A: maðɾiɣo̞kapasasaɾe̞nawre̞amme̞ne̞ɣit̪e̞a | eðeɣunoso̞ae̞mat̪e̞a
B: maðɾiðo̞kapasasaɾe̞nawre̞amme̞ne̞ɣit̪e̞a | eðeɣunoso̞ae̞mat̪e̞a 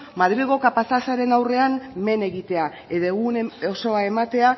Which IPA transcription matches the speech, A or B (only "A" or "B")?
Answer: A